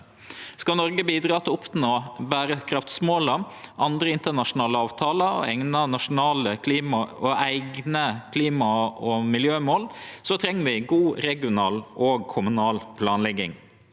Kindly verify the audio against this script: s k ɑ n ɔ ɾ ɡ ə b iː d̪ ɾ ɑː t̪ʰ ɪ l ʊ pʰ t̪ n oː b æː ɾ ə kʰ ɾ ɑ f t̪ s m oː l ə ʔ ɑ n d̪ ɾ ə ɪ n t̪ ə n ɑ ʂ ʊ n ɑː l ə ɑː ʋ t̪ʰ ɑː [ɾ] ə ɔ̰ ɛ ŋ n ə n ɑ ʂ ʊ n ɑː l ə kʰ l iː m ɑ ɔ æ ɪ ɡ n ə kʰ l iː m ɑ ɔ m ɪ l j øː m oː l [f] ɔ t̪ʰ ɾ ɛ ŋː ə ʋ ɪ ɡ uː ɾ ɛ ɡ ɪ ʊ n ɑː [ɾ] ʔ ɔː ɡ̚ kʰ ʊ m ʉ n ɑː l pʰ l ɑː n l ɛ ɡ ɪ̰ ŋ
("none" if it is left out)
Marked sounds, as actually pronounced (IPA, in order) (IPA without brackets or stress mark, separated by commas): l, s, l